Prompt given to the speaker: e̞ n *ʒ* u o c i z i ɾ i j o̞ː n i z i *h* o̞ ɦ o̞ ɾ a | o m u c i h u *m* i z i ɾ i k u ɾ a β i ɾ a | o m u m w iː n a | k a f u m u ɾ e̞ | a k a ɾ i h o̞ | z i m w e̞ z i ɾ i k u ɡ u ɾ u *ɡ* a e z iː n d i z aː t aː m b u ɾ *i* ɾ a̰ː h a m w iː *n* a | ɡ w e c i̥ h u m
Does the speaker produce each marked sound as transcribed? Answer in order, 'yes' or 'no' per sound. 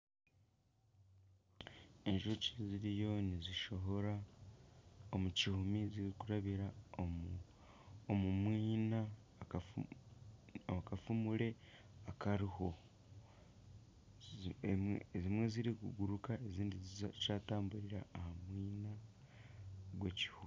yes, no, yes, no, yes, yes

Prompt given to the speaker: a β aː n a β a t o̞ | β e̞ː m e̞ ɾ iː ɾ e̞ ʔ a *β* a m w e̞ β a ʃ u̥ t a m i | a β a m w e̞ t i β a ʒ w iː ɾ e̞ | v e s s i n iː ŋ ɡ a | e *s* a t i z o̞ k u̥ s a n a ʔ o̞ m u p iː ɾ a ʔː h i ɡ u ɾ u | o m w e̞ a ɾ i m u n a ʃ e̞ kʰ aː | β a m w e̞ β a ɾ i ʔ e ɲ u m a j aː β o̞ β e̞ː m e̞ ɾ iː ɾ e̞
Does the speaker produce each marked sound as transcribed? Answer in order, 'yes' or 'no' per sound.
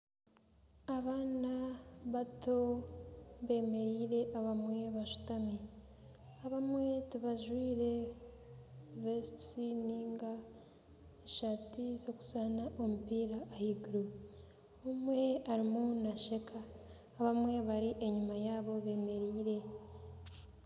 yes, no

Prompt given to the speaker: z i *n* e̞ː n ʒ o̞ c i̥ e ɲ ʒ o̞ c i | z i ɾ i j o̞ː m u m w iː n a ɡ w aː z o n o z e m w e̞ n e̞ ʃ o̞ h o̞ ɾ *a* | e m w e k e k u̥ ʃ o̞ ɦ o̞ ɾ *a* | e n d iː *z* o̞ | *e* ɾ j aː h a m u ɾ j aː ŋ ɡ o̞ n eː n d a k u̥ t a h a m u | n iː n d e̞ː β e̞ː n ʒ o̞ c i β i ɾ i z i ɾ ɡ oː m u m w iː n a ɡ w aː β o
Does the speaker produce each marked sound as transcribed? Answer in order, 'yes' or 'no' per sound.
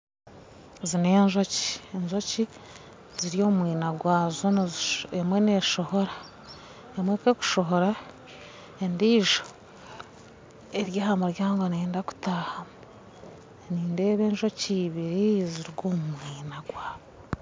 yes, yes, yes, no, yes

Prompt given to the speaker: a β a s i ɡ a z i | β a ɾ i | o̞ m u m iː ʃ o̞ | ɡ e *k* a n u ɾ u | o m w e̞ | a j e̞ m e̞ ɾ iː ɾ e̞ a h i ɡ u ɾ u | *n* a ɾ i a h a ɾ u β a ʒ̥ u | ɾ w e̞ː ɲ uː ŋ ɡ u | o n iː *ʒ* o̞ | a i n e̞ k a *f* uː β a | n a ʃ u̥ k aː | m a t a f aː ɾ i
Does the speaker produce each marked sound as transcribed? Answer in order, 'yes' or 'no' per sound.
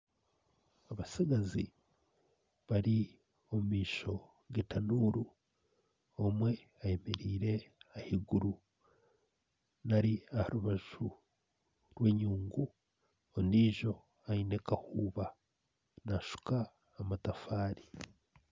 no, yes, yes, no

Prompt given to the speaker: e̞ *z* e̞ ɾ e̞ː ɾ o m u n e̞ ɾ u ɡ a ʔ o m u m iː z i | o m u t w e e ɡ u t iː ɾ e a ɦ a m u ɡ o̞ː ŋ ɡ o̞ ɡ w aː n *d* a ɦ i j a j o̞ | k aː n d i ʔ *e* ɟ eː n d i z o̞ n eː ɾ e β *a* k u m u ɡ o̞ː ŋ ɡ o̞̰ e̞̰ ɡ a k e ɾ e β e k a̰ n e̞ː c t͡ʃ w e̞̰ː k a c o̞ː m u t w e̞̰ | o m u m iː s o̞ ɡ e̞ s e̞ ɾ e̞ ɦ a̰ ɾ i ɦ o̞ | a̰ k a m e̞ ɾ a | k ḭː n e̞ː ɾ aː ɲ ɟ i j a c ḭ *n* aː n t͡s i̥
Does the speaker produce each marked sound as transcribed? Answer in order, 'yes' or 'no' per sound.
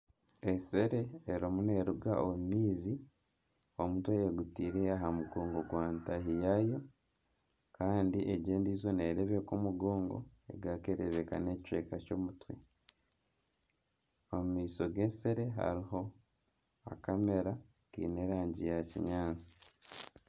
no, no, yes, no, no

